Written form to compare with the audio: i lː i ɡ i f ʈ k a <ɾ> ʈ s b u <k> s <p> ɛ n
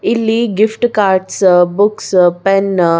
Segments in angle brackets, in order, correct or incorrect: correct, correct, correct

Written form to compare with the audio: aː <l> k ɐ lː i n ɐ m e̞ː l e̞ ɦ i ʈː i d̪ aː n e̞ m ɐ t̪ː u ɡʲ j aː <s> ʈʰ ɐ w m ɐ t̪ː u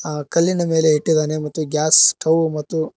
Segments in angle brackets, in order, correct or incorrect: incorrect, correct

